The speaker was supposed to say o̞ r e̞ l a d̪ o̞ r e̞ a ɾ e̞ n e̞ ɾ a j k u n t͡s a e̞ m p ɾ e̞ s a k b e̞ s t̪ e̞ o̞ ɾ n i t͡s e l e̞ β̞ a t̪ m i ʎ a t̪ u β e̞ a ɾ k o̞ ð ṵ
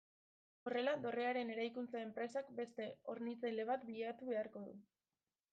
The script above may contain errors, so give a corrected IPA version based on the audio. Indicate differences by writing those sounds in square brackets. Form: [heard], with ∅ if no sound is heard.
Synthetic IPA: o̞ r e̞ l a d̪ o̞ r e̞ a ɾ e̞ n e̞ ɾ a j k u n t͡s a e̞ m p ɾ e̞ s a k b e̞ s t̪ e̞ o̞ ɾ n i t͡s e l e̞ β̞ a t̪ [b] i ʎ a t̪ u β e̞ a ɾ k o̞ ð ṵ